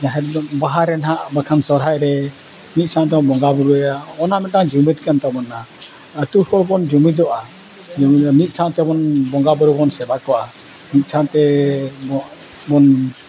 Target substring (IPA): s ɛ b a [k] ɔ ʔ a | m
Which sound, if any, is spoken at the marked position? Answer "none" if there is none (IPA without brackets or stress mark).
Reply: k